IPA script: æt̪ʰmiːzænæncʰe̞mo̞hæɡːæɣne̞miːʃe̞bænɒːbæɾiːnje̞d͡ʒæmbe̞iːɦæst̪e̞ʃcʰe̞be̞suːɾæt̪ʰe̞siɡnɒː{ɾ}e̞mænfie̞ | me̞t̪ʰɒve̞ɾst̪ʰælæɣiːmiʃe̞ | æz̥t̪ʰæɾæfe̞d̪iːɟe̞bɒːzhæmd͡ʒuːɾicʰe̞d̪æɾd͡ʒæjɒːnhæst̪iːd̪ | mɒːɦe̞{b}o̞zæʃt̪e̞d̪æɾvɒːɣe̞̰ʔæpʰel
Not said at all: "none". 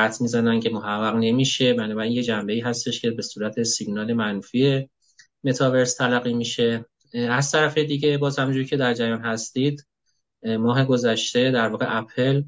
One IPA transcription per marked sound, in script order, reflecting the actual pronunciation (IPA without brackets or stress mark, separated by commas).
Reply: l, ɡ